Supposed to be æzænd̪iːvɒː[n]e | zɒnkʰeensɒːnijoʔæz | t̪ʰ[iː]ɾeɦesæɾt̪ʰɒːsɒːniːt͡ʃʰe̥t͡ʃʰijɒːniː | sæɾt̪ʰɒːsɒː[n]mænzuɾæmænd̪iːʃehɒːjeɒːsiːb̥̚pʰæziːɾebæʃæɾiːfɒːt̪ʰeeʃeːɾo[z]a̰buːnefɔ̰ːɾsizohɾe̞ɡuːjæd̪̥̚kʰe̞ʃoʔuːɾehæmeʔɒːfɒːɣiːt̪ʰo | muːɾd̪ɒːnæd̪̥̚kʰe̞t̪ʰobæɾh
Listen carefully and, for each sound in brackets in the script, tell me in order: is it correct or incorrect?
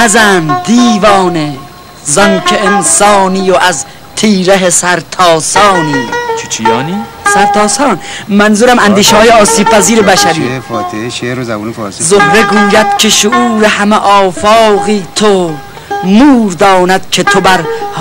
correct, correct, correct, correct

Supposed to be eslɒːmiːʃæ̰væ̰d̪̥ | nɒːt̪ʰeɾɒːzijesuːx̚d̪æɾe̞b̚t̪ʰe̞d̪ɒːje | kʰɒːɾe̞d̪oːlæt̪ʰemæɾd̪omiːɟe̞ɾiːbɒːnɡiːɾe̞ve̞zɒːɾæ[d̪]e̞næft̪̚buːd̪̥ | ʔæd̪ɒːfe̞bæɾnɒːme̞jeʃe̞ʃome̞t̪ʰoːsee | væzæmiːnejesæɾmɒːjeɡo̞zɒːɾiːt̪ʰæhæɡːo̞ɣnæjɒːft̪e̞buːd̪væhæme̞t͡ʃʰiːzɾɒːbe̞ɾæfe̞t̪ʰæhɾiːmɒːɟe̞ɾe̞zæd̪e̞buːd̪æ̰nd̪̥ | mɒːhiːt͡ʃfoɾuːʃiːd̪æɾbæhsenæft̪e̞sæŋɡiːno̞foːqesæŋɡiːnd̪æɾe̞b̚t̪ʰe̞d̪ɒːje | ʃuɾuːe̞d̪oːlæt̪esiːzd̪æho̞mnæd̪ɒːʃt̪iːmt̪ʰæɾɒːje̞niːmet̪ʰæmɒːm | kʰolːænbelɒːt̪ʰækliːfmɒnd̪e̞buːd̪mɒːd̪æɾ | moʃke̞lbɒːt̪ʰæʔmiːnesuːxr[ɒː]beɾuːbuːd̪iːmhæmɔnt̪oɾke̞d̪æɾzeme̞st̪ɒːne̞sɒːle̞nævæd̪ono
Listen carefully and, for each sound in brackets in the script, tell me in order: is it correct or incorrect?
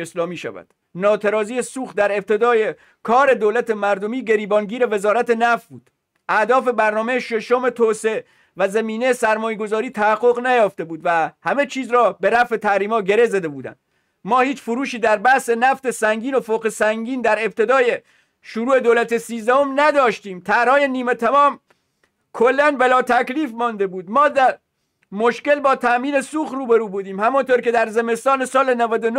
incorrect, incorrect

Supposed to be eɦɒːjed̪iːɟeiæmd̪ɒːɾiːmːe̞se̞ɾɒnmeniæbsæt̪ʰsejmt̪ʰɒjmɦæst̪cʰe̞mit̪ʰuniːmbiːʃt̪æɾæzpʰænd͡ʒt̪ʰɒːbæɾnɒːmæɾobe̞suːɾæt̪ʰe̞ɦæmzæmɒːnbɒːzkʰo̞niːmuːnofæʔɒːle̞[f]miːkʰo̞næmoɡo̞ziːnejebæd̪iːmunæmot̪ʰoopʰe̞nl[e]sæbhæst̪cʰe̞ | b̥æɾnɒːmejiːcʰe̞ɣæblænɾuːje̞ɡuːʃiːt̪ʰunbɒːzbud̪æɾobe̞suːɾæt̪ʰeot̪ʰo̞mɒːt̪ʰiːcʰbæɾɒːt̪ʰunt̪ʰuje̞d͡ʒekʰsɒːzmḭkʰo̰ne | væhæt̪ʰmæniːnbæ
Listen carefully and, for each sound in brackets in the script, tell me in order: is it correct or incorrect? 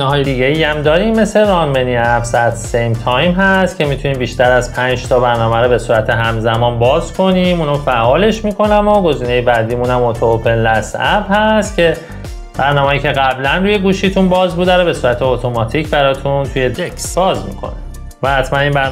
incorrect, incorrect

